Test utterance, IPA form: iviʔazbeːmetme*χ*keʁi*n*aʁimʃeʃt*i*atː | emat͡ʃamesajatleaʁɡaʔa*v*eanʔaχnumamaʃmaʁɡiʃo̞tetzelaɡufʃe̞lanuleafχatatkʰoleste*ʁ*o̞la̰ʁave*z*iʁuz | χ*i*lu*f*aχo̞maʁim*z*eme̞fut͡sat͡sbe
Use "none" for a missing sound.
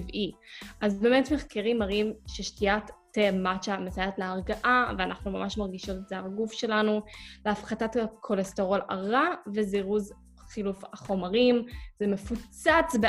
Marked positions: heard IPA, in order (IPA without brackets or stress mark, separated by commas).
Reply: χ, m, i, v, ʁ, z, i, f, z